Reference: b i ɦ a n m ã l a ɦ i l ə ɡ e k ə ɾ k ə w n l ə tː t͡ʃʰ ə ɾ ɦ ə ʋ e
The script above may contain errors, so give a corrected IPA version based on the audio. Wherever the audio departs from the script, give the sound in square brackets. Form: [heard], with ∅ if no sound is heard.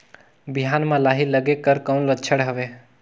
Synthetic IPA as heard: b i ɦ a n m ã l a ɦ i l ə ɡ e k ə ɾ k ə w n l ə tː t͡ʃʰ ə [ɽ] ɦ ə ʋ e